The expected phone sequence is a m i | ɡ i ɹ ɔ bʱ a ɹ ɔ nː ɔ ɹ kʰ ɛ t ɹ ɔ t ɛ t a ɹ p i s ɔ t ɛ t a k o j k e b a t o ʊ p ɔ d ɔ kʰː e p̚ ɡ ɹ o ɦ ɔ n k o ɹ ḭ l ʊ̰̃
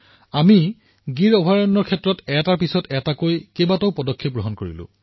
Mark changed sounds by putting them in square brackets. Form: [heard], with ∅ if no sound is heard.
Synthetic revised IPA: a m i | ɡ i ɹ ɔ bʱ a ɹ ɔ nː ɔ ɹ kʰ ɛ t ɹ ɔ t ɛ t a ɹ p i s ɔ t ɛ t a k o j k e b a t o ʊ p ɔ d ɔ kʰː e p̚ ɡ ɹ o ɦ ɔ n k o ɹ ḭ l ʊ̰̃